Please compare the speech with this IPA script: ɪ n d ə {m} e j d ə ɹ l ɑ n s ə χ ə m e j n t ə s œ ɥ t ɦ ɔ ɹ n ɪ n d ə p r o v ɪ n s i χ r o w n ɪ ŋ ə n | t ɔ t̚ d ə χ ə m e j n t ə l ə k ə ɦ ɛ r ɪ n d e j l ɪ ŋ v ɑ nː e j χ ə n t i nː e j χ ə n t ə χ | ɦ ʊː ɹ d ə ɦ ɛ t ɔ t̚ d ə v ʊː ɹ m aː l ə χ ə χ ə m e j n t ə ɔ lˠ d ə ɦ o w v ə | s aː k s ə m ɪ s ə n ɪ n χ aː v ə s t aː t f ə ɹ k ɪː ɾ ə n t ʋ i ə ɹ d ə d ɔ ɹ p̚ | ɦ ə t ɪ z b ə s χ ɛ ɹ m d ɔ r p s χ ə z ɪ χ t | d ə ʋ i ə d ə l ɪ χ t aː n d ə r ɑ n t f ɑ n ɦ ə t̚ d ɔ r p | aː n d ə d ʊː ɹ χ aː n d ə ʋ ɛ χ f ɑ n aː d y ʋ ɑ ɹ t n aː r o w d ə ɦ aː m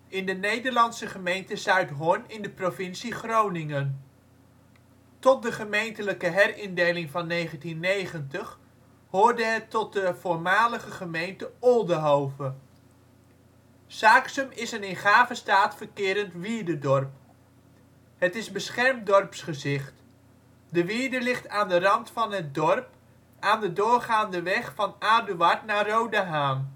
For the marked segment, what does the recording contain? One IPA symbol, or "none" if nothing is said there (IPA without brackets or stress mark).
n